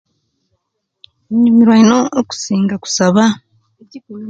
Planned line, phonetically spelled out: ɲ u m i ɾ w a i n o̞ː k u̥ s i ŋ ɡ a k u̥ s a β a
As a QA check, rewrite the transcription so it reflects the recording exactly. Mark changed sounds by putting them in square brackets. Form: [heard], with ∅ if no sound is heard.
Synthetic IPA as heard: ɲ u m i ɾ w a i n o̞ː k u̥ s [iː] ŋ ɡ a k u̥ s a β a